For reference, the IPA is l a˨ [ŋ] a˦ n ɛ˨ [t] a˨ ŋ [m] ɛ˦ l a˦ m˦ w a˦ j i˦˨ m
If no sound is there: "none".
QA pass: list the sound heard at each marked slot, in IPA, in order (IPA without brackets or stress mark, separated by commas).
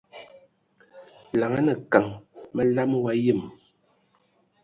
ŋ, k, m